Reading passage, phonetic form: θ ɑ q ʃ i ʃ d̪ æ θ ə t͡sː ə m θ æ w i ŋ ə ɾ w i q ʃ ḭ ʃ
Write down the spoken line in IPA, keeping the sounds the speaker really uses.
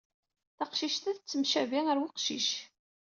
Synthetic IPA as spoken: θ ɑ q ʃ i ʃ t̪ æ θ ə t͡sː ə m ʃ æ v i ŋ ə ɾ w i q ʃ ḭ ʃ